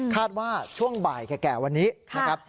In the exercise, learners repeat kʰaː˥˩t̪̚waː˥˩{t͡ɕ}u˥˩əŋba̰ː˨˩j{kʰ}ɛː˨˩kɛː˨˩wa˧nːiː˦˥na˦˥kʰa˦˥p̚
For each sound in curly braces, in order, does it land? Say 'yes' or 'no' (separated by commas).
no, no